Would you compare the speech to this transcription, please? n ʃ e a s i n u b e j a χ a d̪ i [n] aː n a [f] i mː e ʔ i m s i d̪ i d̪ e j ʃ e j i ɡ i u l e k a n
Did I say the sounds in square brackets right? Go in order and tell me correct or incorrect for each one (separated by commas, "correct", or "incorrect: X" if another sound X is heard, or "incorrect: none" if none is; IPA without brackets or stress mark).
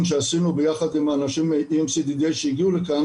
incorrect: m, incorrect: ʃ